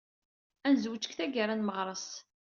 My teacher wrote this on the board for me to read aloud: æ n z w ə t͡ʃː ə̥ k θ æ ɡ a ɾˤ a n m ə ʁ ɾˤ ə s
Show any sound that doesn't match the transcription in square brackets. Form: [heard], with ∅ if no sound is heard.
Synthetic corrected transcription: æ n z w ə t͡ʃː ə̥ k θ æ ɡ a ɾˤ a n m ə ʁ ɾˤ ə s